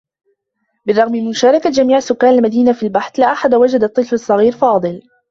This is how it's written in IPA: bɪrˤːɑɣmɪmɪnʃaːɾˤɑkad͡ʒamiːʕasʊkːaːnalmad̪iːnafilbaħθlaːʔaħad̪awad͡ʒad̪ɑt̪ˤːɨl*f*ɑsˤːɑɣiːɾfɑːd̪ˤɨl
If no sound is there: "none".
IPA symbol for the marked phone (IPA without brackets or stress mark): f